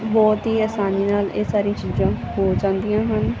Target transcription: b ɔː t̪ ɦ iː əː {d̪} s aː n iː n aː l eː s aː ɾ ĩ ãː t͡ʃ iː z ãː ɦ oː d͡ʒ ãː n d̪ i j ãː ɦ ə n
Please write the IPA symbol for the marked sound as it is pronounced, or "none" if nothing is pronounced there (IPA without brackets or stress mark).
none